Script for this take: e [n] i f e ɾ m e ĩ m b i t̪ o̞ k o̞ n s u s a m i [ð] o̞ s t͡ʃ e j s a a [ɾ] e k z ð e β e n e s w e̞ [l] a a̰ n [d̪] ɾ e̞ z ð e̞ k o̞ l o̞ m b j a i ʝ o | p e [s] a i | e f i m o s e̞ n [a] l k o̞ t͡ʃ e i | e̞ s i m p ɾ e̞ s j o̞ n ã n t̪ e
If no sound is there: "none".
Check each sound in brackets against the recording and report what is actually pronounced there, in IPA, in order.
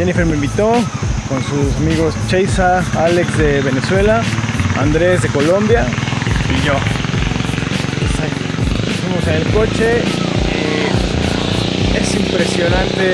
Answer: n, ɣ, l, l, d̪, s, e

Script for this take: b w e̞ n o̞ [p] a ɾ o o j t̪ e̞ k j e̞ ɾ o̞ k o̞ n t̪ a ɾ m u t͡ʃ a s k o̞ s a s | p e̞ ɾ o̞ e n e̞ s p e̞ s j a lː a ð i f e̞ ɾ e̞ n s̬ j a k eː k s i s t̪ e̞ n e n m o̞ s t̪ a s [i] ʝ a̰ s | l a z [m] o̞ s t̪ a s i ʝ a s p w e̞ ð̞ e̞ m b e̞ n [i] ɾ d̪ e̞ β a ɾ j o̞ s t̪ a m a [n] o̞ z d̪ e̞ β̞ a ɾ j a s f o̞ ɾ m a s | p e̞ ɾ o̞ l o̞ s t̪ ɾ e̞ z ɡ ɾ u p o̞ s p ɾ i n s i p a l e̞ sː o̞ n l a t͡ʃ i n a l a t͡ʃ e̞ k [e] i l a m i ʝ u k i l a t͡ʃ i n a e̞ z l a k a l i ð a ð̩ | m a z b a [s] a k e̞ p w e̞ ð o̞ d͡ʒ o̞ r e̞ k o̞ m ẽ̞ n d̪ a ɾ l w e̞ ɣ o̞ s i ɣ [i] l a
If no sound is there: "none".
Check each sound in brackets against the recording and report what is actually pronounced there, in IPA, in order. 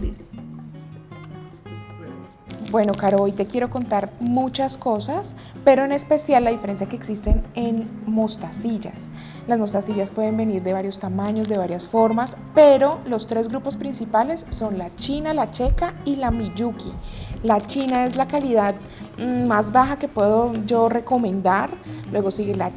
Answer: k, i, m, i, ɲ, a, x, e

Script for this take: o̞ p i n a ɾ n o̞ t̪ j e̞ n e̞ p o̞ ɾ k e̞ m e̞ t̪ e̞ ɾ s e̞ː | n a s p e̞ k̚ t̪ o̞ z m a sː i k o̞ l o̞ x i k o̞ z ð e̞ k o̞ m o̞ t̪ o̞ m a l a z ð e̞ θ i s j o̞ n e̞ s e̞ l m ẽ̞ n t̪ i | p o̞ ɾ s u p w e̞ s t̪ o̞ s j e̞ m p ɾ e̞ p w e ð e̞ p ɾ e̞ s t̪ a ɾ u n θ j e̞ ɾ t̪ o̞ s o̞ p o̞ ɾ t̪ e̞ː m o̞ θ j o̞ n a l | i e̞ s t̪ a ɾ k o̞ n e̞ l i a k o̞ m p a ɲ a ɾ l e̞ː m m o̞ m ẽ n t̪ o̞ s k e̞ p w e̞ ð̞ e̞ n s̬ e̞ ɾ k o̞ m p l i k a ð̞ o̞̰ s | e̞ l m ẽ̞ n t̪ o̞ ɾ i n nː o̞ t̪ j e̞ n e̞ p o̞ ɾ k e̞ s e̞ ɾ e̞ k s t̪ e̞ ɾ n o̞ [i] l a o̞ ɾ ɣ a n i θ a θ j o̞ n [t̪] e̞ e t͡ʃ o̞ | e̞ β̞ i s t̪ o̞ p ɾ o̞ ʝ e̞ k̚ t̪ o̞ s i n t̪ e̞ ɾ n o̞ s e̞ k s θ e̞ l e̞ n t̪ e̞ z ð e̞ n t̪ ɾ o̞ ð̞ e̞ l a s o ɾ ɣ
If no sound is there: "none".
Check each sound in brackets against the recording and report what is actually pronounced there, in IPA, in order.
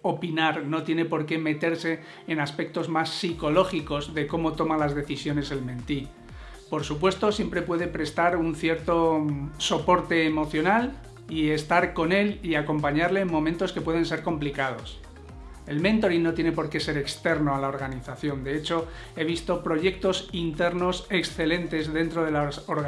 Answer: a, d̪

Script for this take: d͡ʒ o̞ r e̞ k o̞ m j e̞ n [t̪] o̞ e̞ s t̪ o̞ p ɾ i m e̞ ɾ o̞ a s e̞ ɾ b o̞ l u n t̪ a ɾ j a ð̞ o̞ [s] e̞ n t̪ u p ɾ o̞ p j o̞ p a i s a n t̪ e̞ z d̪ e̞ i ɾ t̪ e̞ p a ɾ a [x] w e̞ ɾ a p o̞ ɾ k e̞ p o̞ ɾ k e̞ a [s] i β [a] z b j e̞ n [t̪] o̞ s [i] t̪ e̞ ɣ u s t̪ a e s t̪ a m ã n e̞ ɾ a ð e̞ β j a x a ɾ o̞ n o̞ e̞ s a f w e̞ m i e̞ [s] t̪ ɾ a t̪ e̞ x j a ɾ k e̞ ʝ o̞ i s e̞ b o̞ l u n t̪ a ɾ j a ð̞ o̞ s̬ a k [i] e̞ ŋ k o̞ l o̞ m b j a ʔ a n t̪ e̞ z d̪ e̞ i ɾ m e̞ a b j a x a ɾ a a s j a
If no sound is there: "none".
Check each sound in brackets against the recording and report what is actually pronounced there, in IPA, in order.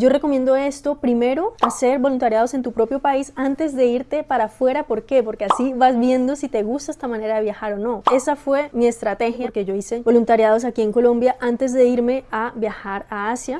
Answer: d̪, s, f, s, a, d̪, i, s, i

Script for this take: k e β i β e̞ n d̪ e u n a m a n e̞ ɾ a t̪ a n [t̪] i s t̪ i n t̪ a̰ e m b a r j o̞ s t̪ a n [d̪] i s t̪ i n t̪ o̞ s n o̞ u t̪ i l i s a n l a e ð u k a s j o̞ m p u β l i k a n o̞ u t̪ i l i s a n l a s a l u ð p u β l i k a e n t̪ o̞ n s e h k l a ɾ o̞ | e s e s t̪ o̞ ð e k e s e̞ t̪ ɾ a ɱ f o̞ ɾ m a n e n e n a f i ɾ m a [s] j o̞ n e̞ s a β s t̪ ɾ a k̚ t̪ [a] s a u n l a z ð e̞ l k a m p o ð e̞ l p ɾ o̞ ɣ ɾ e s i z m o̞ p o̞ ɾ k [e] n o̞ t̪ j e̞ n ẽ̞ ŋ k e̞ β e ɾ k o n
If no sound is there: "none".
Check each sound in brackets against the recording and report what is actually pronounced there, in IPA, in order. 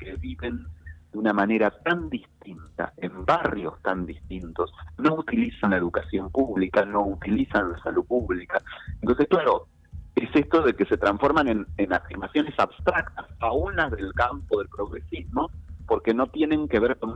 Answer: d̪, d̪, s, a, e

